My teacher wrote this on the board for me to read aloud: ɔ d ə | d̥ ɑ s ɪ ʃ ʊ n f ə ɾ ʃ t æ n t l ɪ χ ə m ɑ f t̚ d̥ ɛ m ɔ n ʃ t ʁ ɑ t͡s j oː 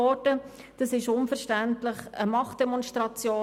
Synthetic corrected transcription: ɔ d ə | d̥ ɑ s ɪ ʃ ʊ n f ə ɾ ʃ t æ n t l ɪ χ ə m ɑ χ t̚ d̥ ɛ m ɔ n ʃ t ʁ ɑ t͡s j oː